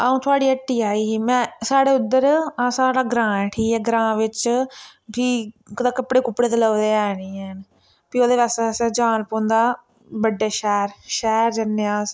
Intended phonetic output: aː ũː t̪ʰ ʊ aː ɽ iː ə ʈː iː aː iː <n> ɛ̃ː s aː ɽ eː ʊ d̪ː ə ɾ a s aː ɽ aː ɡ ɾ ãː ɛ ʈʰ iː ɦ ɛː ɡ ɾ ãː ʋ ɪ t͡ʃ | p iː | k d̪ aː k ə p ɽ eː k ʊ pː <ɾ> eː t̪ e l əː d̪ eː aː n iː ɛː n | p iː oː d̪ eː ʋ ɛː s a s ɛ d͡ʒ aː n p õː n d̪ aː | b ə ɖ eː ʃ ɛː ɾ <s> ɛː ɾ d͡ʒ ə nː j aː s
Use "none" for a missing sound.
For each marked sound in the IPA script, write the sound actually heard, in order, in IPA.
m, ɽ, ʃ

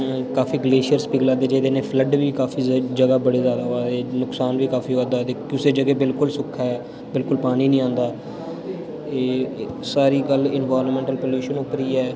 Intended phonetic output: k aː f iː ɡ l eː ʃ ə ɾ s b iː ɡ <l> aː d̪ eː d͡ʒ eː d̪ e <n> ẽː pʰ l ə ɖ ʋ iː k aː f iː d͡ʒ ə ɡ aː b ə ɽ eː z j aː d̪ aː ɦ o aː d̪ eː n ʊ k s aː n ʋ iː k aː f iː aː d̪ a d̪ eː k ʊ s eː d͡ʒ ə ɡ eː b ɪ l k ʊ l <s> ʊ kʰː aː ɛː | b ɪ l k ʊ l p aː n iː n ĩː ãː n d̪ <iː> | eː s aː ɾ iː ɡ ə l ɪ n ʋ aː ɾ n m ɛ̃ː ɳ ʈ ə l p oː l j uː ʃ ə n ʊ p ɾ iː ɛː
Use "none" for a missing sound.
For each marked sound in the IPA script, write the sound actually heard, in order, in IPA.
l, n, s, aː

